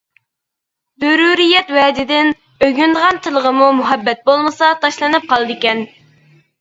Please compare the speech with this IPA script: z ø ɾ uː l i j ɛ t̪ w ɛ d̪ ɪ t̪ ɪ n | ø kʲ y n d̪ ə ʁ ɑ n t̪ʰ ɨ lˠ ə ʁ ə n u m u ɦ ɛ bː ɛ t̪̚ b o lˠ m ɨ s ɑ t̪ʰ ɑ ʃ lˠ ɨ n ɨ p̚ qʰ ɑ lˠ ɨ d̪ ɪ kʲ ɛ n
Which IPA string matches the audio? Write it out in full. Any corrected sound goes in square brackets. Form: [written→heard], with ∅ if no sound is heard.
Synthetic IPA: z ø ɾ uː [l→ɾ] i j ɛ t̪ w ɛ d̪ ɪ [t̪→d̪] ɪ n | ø [kʲ→ɡʲ] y n d̪ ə ʁ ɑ n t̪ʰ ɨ lˠ ə ʁ ə [n→m] u m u ɦ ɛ bː ɛ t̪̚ b o lˠ m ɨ s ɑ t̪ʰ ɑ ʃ lˠ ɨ n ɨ p̚ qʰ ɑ lˠ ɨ d̪ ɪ kʲ ɛ n

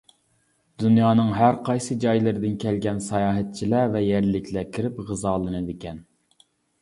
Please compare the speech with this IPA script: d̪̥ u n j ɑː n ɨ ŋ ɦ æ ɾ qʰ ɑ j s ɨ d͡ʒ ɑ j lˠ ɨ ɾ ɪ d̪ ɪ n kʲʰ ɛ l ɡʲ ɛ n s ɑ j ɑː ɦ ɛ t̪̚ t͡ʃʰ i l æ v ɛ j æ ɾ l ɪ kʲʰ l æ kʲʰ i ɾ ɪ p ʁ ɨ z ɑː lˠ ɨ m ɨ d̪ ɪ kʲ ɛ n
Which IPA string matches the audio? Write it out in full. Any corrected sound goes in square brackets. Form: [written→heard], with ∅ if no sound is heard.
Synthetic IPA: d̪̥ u n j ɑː n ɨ ŋ ɦ æ ɾ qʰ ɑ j s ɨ d͡ʒ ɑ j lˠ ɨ ɾ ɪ d̪ ɪ n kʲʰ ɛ l ɡʲ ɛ n s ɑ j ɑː ɦ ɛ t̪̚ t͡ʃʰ i l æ v ɛ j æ ɾ l ɪ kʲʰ l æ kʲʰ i ɾ ɪ p ʁ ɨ z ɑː lˠ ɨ [m→n] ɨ d̪ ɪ kʲ ɛ n

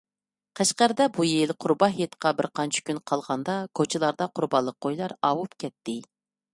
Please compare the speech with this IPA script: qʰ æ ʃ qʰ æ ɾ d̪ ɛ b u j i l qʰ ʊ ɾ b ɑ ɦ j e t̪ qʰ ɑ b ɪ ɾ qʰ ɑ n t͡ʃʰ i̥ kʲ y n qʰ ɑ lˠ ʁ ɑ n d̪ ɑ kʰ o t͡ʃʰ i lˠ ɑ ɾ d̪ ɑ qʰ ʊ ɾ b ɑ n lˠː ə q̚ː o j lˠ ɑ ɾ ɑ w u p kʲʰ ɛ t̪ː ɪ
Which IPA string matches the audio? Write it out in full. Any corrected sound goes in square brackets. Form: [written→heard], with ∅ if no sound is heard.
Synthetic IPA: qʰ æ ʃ [qʰ→q] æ ɾ d̪ ɛ b u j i l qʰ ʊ ɾ b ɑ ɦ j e t̪ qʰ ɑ b ɪ ɾ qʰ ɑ n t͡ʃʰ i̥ kʲ y n qʰ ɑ lˠ ʁ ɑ n d̪ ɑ kʰ o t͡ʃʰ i lˠ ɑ ɾ d̪ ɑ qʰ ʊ ɾ b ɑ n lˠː ə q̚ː o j lˠ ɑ ɾ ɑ w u p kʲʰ ɛ t̪ː ɪ

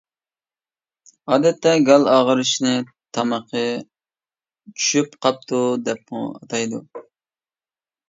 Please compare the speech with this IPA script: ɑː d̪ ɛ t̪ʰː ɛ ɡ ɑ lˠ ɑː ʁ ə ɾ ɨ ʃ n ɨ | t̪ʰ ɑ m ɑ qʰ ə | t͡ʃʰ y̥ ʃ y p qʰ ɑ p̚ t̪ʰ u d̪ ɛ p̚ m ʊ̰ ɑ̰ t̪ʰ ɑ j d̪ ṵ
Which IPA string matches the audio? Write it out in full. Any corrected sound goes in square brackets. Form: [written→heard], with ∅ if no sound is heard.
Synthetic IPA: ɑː d̪ ɛ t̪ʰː ɛ ɡ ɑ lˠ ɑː ʁ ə ɾ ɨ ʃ n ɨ | t̪ʰ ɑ m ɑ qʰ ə | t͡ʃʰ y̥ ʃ y p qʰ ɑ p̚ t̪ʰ u d̪ ɛ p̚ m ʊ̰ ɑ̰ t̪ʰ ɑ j d̪ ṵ

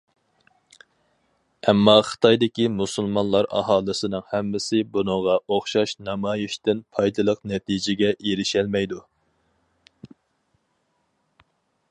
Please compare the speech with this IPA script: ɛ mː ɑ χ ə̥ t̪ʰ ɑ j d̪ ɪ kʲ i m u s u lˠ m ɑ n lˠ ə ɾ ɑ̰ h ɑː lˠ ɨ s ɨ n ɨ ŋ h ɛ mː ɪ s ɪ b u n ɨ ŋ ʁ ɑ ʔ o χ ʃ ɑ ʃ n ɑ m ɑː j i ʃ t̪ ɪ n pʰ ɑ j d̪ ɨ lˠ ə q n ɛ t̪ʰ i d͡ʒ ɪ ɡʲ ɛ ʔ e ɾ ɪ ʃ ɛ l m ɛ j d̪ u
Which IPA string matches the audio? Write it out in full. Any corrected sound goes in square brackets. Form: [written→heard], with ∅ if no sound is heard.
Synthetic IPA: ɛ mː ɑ χ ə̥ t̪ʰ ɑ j d̪ ɪ kʲ i m u s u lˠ m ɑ n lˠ [ə→ɑ] ɾ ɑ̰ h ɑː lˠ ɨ s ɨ n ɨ ŋ h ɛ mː ɪ s ɪ b u n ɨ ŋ ʁ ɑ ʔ o χ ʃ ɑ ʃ n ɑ m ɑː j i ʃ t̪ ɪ n pʰ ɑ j d̪ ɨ lˠ ə q n ɛ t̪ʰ i d͡ʒ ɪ ɡʲ ɛ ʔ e ɾ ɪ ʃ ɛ l m ɛ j d̪ u

